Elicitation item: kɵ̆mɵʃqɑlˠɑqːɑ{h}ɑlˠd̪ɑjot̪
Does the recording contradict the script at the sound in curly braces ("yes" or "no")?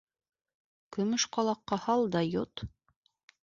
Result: no